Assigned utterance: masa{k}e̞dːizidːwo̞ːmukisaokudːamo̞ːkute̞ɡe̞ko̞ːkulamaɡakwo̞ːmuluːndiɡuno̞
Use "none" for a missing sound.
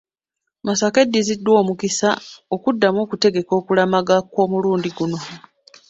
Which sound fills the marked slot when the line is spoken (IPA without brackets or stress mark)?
k